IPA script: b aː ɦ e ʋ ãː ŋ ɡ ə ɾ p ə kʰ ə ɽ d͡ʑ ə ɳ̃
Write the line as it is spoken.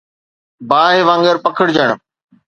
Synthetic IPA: b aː ɦ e ʋ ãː ŋ ɡ ə ɾ p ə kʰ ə ɽ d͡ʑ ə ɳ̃